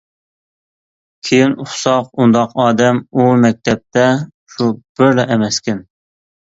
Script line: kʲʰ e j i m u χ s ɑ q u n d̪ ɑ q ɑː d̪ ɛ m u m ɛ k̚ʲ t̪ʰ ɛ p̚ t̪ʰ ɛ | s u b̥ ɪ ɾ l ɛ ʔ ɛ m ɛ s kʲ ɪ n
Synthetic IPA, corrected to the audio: kʲʰ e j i n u χ s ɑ q u n d̪ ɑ q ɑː d̪ ɛ m u m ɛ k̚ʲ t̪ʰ ɛ p̚ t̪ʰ ɛ | ʃ u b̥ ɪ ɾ l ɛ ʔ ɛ m ɛ s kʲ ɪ n